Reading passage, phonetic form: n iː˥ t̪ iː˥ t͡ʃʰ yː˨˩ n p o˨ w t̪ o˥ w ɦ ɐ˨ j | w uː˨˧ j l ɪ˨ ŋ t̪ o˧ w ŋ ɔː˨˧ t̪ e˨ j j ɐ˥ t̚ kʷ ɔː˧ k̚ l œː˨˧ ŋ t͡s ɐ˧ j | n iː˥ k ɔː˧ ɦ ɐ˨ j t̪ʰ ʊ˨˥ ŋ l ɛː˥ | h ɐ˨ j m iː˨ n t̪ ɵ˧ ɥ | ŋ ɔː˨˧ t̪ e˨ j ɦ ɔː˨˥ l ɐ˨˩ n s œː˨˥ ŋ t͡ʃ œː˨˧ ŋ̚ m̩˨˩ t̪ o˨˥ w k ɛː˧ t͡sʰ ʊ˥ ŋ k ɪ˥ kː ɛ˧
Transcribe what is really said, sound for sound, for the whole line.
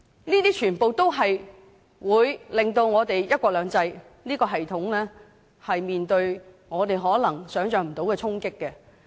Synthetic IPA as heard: n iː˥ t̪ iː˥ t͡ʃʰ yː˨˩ n p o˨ w t̪ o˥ w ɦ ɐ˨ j | w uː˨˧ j l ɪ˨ ŋ t̪ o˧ w ŋ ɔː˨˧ t̪ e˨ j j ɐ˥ t̚ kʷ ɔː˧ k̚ l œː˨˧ ŋ t͡s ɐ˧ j | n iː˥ k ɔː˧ ɦ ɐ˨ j t̪ʰ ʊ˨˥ ŋ l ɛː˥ | h ɐ˨ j m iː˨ n t̪ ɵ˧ ɥ | ŋ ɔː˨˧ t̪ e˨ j ɦ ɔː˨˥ l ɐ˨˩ ŋ s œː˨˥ ŋ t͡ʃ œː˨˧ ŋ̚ m̩˨˩ t̪ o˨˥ w k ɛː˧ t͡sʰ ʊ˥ ŋ k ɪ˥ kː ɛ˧